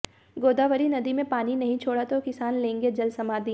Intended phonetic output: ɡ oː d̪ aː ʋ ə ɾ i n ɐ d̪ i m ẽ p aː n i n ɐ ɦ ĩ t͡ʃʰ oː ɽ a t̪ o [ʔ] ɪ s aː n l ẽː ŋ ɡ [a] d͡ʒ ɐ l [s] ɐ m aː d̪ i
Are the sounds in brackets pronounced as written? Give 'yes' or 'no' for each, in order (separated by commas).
no, no, yes